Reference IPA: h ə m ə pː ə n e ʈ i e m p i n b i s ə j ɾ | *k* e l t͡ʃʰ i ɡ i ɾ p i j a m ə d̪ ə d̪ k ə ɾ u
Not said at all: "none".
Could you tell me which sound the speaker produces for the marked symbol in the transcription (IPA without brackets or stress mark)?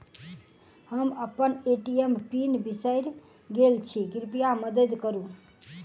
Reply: ɡ